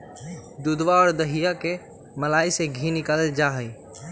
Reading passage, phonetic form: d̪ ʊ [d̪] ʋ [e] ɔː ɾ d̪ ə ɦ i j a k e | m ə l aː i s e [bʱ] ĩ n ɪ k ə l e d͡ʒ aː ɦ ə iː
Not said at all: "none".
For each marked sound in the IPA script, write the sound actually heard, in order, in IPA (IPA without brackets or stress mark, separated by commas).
d̪, a, ɡʱ